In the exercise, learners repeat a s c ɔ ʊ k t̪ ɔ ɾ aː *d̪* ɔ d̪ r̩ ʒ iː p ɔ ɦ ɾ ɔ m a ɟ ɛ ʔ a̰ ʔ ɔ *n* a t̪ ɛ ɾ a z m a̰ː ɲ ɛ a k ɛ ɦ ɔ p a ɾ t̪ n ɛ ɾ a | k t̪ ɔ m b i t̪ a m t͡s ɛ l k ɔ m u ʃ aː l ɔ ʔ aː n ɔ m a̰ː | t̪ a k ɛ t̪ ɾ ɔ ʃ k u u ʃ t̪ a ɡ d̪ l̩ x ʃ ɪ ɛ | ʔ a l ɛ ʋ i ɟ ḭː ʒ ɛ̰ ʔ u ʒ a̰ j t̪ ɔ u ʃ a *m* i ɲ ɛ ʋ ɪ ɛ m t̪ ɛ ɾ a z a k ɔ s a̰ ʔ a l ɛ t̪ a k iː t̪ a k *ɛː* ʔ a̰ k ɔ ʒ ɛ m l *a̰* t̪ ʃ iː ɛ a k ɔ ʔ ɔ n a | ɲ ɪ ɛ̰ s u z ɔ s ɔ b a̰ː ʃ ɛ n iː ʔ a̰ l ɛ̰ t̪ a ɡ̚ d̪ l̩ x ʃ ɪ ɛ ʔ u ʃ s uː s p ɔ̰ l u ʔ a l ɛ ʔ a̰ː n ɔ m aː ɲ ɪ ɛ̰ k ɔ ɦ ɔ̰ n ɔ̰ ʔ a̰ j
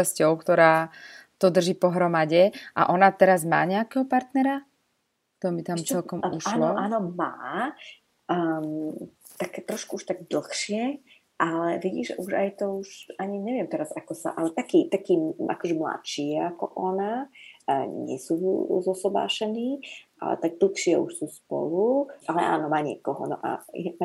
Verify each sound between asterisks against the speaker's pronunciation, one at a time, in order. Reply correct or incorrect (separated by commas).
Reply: incorrect, correct, incorrect, incorrect, correct